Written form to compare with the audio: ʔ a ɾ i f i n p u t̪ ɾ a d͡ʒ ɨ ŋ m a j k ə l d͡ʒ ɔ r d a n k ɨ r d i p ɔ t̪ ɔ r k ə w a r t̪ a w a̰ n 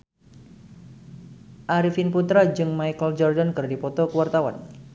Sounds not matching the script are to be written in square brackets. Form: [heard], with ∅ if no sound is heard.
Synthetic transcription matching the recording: ʔ a ɾ i f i n p u t̪ ɾ a d͡ʒ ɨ ŋ m a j k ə l d͡ʒ ɔ r d a n k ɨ r d i p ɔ t̪ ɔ [∅] k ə w a r t̪ a w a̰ n